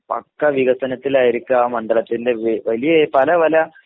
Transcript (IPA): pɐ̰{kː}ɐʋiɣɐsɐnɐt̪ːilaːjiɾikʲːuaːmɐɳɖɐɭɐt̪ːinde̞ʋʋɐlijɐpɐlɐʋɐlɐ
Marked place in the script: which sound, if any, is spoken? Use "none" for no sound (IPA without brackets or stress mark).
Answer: kː